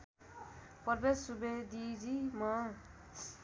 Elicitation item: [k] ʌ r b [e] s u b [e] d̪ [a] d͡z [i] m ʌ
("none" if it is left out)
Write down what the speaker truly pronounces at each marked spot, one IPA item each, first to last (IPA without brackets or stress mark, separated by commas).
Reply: p, e, e, i, i